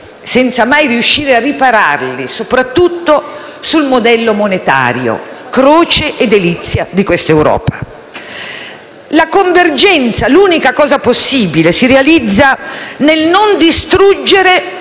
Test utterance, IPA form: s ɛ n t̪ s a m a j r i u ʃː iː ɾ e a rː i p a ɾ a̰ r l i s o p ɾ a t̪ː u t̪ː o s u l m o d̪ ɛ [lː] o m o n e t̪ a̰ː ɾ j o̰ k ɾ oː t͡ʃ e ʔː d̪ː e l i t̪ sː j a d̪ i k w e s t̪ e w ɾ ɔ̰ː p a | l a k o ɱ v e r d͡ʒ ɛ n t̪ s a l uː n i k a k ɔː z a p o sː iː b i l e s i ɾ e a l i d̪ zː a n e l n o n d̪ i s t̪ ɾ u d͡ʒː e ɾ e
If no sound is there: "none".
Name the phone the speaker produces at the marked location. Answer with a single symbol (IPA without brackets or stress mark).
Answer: lː